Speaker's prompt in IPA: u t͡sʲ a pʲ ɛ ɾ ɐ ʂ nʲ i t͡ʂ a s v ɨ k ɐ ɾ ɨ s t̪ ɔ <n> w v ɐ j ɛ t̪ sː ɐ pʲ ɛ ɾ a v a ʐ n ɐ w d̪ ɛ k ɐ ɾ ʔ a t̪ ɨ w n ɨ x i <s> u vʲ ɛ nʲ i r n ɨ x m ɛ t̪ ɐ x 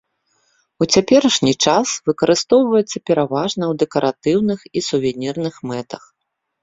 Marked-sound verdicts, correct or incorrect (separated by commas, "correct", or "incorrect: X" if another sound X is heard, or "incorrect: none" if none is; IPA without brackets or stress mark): incorrect: none, correct